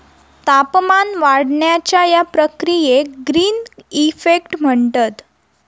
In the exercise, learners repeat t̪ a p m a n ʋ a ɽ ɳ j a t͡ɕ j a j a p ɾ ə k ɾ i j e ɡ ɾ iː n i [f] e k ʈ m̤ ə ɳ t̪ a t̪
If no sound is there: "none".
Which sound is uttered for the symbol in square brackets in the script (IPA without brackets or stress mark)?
f